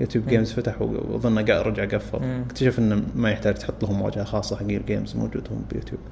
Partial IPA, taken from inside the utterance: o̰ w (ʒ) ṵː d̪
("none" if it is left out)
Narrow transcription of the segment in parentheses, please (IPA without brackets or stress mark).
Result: d͡ʒ